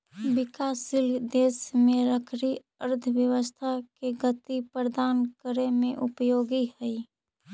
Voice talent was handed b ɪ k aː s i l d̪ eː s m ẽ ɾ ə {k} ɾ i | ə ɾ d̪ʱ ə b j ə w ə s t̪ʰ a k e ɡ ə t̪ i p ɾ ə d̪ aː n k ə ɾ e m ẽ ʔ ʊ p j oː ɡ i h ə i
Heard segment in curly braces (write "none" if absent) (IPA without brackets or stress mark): kʰ